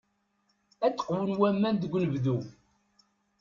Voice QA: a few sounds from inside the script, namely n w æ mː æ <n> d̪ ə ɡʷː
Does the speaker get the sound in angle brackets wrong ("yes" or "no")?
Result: no